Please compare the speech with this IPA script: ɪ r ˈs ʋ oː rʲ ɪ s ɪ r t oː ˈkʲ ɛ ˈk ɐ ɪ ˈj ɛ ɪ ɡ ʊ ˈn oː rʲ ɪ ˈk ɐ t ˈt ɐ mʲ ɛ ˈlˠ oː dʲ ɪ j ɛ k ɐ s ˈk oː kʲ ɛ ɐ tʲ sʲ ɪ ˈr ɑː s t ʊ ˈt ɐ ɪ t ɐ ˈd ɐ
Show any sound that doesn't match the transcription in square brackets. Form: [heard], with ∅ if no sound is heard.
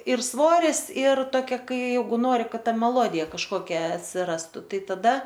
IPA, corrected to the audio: ɪ r ˈs ʋ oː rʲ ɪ s ɪ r t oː ˈkʲ ɛ ˈk ɐ ɪ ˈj ɛ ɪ ɡ ʊ ˈn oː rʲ ɪ ˈk ɐ t ˈt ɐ mʲ ɛ ˈlˠ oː dʲ ɪ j ɛ k ɐ [ʃ] ˈk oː kʲ ɛ ɐ tʲ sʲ ɪ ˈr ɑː s t ʊ ˈt ɐ ɪ t ɐ ˈd ɐ